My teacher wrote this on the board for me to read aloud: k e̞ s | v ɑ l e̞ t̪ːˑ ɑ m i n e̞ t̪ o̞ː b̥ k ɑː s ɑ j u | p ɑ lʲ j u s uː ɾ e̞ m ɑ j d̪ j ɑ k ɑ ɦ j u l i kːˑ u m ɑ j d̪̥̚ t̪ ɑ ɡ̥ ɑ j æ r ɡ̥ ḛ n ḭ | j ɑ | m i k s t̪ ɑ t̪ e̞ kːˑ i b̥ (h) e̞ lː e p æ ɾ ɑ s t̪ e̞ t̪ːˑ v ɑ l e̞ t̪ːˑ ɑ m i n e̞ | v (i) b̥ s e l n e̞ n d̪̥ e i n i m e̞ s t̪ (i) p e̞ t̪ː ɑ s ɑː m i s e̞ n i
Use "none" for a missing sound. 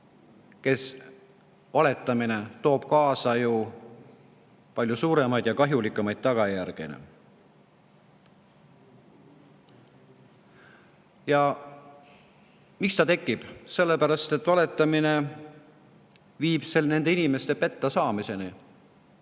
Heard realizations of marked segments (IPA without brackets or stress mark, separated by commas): s, iː, e